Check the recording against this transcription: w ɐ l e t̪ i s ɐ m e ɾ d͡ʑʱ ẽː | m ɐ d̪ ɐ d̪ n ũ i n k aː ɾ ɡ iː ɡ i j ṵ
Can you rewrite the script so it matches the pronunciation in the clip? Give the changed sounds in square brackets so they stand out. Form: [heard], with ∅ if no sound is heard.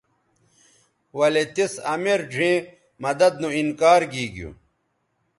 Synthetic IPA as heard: w ɐ l e t̪ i s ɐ m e ɾ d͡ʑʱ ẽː | m ɐ d̪ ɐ d̪ n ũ i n k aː ɾ ɡ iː ɡ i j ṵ

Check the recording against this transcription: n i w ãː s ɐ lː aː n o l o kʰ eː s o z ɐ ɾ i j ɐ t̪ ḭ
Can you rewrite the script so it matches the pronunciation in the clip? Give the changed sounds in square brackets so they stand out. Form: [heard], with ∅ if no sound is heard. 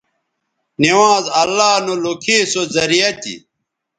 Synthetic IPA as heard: n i w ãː [z] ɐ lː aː n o l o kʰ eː s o z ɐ ɾ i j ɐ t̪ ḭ

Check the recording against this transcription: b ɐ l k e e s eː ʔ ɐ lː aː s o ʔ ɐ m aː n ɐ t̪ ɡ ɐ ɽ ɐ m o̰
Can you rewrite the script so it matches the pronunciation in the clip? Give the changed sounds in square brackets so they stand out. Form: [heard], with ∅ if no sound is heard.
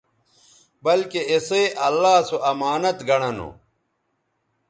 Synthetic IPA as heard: b ɐ l k e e s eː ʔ ɐ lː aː s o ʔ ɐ m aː n ɐ t̪ ɡ ɐ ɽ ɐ [n] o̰

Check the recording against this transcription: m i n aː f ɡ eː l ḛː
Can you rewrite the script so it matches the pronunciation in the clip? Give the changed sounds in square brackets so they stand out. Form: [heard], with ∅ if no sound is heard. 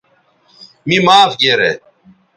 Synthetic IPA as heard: m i [m] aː f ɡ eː [ɾ] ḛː

